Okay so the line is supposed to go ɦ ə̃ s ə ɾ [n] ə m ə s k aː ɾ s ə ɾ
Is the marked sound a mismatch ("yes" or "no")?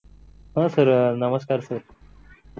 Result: no